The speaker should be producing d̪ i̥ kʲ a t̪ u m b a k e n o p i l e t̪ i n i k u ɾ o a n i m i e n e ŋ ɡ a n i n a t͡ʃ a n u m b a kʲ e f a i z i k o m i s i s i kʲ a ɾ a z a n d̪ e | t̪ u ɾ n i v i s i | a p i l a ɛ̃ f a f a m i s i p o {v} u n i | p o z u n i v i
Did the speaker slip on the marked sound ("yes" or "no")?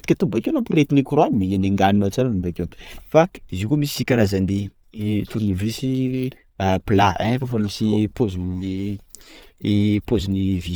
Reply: yes